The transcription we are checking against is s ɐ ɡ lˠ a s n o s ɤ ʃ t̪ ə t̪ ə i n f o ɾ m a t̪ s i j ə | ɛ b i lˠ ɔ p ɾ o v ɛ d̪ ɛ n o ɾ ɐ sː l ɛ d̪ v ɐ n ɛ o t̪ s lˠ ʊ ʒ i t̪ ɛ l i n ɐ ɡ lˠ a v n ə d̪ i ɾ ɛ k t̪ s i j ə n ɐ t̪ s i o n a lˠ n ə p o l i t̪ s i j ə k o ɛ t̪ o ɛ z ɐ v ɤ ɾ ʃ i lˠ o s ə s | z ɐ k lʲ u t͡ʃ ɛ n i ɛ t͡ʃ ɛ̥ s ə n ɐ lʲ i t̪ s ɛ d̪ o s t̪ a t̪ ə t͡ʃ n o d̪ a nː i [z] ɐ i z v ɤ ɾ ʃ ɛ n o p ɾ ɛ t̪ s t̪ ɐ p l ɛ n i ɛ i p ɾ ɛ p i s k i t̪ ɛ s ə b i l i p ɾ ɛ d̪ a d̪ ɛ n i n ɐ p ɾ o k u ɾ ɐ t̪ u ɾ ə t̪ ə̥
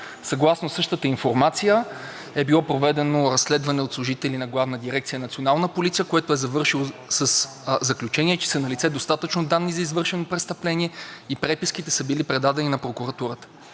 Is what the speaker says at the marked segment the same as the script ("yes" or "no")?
yes